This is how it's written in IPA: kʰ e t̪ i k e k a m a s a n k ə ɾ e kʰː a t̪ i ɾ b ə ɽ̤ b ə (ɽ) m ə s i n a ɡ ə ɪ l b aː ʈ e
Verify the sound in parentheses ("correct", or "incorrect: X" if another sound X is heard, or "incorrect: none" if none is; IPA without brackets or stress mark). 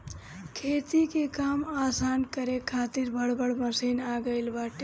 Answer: correct